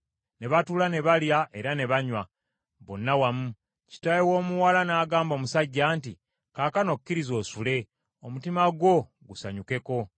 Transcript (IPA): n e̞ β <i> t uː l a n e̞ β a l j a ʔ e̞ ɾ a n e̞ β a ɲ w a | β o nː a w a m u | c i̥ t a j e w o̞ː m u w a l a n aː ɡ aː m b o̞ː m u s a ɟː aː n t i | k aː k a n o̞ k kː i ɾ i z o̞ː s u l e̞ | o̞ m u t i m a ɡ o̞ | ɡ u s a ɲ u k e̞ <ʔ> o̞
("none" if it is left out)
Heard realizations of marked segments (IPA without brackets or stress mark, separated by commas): a, k